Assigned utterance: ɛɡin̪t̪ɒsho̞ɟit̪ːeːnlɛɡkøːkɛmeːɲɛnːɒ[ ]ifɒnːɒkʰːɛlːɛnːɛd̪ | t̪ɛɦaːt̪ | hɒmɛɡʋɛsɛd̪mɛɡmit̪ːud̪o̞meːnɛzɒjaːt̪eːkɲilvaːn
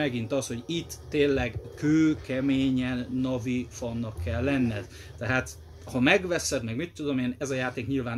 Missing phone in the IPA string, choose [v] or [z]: v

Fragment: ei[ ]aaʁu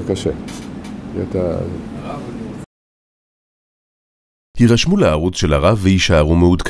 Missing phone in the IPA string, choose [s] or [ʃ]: ʃ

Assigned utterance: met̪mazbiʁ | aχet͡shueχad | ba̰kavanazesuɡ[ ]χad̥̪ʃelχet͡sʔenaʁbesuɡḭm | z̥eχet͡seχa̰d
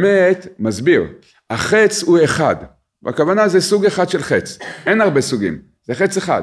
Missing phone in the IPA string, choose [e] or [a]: e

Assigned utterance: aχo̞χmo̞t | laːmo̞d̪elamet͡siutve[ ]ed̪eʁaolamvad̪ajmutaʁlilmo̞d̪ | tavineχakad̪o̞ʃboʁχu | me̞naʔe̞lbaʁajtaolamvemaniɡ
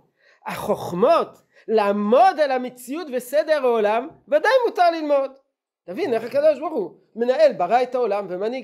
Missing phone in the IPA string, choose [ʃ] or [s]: s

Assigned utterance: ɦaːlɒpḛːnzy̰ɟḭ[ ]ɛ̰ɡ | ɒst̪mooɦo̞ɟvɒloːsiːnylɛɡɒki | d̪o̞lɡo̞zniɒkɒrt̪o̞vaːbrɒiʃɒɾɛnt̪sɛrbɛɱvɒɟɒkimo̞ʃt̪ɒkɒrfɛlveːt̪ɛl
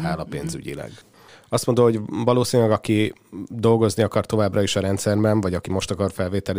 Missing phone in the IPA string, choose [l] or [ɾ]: l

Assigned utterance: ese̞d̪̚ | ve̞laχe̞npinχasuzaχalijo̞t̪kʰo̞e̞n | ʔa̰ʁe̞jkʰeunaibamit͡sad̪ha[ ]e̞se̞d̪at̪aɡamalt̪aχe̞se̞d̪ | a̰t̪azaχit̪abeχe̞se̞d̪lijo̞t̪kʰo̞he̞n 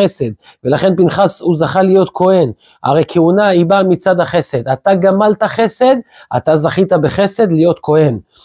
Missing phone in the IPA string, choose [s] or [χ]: χ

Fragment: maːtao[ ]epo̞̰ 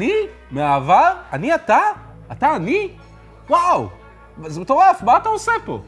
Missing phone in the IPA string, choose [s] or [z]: s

